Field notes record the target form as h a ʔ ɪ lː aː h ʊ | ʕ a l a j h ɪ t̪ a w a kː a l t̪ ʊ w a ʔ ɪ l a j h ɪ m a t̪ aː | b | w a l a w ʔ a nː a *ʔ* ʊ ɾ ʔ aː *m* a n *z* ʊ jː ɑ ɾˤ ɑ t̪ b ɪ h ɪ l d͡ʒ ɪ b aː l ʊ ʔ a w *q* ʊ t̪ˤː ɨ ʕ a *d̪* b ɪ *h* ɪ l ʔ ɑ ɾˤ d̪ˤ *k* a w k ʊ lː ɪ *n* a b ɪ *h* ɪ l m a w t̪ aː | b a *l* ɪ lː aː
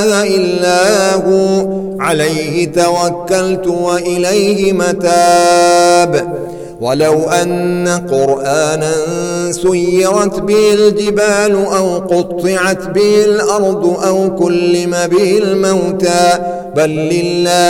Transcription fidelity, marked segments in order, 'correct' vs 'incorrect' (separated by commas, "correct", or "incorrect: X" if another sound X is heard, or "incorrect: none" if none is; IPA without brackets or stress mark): incorrect: q, incorrect: n, incorrect: s, correct, incorrect: t̪, correct, incorrect: ʔ, incorrect: m, correct, incorrect: lː